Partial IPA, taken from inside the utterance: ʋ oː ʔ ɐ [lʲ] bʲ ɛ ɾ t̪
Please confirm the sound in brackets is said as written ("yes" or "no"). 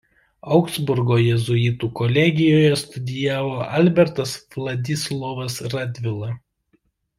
yes